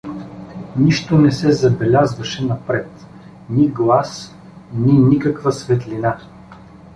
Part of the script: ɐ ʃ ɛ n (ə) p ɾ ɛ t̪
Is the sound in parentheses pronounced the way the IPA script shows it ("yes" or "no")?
no